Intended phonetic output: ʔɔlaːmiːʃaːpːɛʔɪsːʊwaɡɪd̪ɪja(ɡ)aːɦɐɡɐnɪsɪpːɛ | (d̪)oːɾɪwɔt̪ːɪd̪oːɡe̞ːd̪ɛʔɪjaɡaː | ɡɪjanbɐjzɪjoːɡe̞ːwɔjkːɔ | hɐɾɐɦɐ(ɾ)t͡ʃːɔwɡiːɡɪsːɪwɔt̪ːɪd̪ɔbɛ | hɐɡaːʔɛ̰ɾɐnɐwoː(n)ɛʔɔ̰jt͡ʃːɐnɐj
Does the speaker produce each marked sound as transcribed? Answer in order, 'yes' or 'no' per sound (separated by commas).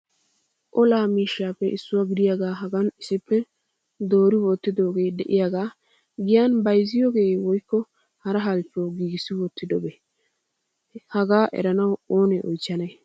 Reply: yes, yes, no, yes